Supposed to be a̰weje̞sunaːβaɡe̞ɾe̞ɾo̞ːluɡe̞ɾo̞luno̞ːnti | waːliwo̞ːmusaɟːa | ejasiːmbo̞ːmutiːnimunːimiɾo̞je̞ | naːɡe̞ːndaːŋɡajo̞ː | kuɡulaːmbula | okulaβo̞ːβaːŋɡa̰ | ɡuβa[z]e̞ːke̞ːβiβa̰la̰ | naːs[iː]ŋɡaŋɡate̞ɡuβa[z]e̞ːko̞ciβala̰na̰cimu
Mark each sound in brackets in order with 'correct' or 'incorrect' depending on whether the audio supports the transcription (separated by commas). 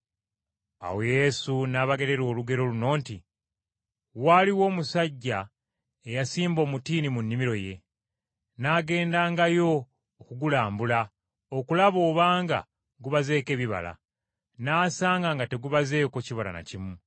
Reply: correct, incorrect, correct